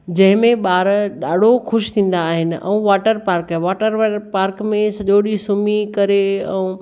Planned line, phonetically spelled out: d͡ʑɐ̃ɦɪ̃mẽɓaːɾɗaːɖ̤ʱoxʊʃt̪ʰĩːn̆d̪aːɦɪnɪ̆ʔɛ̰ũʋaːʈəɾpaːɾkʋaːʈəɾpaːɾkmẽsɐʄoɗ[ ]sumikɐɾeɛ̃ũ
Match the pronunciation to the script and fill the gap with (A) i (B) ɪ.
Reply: A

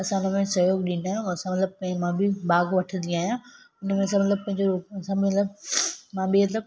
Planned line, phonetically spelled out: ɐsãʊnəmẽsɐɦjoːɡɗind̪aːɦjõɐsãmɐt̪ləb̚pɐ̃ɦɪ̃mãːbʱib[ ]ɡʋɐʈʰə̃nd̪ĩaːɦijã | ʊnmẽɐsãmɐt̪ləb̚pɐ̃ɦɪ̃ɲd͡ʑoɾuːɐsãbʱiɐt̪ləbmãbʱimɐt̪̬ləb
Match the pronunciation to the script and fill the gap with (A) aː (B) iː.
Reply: A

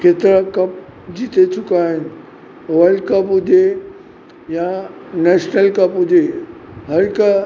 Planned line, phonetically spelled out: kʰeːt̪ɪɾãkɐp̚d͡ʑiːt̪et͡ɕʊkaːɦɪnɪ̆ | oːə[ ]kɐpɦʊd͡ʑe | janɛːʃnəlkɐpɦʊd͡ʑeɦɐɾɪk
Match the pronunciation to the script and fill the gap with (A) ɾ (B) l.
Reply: B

